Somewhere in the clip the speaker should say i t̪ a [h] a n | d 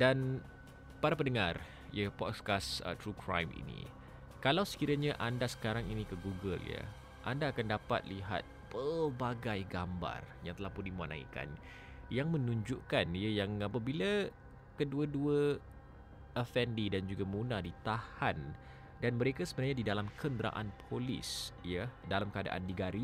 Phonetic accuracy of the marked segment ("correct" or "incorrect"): correct